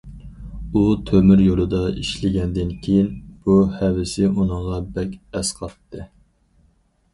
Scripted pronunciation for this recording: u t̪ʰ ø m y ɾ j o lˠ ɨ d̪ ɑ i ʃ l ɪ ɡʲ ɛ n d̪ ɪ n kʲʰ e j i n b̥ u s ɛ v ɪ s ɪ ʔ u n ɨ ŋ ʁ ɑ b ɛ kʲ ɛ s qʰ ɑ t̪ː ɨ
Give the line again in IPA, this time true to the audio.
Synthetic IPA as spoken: u t̪ʰ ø m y ɾ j o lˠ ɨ d̪ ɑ i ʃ l ɪ ɡʲ ɛ n d̪ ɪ n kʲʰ e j i n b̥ u h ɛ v ɪ s ɪ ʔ u n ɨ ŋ ʁ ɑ b ɛ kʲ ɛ s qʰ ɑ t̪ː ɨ